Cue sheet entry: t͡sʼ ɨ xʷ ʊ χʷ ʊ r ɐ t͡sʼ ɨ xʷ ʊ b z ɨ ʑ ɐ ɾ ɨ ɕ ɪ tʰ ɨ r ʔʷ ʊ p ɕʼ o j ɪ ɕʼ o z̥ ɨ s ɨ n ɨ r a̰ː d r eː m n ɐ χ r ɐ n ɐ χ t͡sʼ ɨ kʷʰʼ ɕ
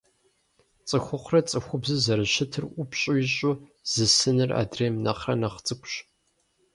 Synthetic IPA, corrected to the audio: t͡sʼ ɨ xʷ ʊ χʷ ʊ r ɐ t͡sʼ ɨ xʷ ʊ b z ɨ z ɐ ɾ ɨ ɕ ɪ tʰ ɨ r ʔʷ ʊ p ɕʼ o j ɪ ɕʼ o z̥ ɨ s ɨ n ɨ r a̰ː d r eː m n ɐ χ r ɐ n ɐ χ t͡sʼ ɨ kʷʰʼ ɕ